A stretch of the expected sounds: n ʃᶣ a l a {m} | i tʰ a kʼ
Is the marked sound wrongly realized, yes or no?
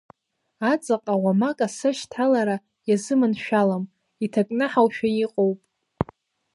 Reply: no